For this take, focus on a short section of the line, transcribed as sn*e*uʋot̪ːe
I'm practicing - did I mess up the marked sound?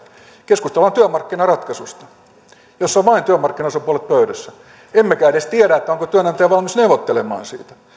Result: no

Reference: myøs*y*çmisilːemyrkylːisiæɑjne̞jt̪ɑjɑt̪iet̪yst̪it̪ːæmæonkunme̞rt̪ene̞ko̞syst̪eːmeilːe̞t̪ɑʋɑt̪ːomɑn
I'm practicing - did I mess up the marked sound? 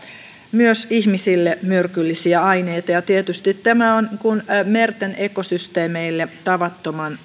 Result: yes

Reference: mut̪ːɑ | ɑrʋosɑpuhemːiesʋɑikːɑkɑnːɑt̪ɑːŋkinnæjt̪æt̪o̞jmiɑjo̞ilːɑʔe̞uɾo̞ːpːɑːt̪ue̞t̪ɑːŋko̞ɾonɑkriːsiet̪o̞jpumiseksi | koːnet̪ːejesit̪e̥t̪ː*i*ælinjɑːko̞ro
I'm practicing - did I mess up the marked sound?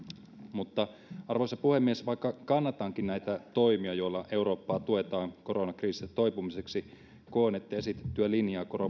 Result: yes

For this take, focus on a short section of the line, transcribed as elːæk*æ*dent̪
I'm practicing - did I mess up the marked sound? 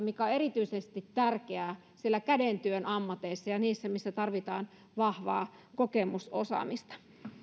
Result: no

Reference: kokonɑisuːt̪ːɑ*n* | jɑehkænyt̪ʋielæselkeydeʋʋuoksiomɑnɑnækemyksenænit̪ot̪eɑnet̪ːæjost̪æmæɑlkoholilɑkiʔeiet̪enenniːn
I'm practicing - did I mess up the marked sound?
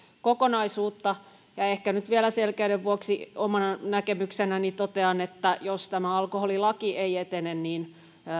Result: yes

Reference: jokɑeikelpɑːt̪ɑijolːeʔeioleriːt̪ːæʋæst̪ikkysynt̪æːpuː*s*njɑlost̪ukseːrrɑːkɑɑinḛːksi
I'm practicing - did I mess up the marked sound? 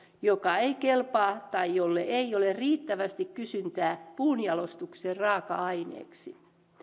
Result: yes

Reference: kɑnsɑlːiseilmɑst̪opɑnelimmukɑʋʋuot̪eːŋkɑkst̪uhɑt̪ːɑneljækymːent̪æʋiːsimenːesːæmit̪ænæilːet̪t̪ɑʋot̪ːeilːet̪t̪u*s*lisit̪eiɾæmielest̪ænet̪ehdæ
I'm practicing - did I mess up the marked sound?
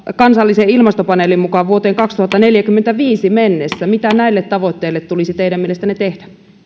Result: yes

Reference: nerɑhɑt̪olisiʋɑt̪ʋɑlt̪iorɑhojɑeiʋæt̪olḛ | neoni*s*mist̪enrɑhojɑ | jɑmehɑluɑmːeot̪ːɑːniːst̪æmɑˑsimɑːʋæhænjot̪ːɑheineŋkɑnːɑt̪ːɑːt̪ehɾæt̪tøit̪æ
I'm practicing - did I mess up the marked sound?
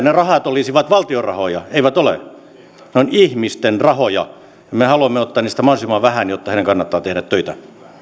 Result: yes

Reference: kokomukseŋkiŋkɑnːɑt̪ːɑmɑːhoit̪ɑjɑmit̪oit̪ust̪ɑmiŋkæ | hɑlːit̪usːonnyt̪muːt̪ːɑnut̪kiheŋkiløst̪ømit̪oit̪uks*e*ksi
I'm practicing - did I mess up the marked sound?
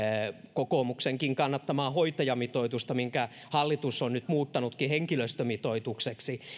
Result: no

